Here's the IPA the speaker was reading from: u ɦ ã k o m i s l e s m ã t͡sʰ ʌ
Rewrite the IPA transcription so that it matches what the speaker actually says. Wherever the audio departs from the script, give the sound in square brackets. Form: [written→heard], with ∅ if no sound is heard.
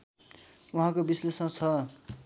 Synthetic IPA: u ɦ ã k o [m→b] i s l e s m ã t͡sʰ ʌ